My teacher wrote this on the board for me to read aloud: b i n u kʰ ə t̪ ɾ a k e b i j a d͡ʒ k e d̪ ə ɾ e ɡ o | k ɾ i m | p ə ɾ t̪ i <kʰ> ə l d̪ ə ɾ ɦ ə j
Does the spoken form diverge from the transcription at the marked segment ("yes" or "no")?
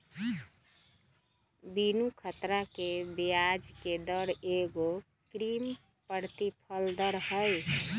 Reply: yes